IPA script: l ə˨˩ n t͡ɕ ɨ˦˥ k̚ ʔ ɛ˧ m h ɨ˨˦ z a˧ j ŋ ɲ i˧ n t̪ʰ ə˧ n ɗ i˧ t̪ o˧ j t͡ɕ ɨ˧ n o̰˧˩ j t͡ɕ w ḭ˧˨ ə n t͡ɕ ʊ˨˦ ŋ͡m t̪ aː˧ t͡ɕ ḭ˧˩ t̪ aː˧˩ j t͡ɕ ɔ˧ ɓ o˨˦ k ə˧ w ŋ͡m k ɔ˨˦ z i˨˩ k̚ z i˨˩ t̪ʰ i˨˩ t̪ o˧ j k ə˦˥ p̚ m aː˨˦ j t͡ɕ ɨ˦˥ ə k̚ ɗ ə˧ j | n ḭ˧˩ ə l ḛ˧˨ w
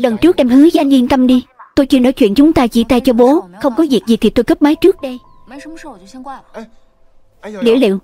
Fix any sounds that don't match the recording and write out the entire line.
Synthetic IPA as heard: l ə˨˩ n t͡ɕ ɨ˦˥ k̚ ʔ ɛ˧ m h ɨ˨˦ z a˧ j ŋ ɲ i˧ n t̪ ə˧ m ɗ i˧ t̪ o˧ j t͡ɕ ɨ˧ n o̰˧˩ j t͡ɕ w ḭ˧˨ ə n t͡ɕ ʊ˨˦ ŋ͡m t̪ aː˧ t͡ɕ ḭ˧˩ t̪ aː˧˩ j t͡ɕ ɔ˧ ɓ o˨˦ x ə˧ w ŋ͡m k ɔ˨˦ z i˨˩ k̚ z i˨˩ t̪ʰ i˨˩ t̪ o˧ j k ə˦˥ p̚ m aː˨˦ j t͡ɕ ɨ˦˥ ə k̚ ɗ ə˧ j | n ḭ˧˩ ə l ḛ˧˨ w